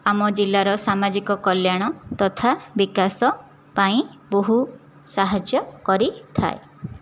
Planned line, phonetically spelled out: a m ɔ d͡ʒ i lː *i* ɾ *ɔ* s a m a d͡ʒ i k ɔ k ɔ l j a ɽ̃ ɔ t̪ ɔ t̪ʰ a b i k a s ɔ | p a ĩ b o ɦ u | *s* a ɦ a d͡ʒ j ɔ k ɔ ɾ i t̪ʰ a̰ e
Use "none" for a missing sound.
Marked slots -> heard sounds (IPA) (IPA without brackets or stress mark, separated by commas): a, ɔ, s